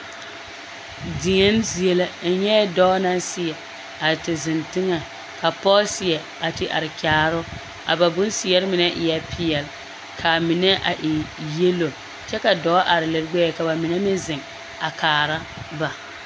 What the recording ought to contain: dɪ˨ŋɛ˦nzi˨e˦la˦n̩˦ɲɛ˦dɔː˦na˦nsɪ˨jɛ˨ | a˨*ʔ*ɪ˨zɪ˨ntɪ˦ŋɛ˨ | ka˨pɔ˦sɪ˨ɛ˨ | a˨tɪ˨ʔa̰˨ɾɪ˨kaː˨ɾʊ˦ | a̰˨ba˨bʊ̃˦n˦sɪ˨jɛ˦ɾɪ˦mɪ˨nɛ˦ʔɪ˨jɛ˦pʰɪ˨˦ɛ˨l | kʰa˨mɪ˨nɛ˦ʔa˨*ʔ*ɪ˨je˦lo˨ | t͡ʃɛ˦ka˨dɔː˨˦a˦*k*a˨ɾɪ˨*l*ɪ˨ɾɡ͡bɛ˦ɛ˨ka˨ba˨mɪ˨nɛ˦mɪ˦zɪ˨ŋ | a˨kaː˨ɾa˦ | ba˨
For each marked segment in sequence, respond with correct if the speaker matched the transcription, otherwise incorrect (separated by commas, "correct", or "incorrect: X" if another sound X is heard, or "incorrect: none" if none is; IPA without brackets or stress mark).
incorrect: t, correct, incorrect: ʔ, correct